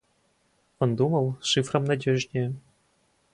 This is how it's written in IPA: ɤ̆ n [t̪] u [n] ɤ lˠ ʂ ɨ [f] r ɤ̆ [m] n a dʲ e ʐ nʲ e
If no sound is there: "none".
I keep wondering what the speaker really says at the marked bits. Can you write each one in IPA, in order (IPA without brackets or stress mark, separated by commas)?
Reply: d̪, m, f, m